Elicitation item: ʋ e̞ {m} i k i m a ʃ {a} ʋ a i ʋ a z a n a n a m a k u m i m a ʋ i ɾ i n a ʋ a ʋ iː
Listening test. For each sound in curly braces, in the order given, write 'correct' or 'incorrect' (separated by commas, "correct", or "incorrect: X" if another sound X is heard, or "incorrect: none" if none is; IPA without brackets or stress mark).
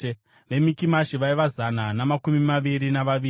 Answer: correct, incorrect: i